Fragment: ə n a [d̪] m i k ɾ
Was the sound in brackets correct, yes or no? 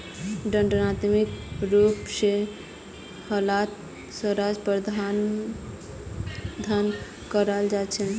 no